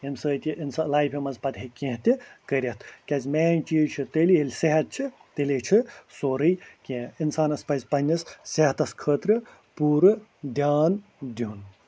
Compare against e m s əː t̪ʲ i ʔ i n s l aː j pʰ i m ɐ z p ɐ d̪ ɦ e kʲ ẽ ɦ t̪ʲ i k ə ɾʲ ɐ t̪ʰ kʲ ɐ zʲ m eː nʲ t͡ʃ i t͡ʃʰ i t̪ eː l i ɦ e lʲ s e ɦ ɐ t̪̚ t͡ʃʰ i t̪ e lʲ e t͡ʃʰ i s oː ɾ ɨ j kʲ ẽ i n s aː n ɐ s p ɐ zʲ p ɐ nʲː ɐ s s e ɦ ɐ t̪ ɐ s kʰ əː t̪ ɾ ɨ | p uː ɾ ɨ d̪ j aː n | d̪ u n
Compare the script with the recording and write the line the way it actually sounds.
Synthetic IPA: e m s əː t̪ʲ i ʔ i n s l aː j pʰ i m ɐ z p ɐ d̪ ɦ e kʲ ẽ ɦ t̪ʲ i k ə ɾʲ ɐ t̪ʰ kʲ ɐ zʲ m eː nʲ t͡ʃ i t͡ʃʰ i t̪ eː l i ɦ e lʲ s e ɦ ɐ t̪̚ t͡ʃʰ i t̪ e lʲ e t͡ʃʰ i s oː ɾ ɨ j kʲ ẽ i n s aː n ɐ s p ɐ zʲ p ɐ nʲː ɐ s s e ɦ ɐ t̪ ɐ s kʰ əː t̪ ɾ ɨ | p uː ɾ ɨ d̪ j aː n | d̪ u n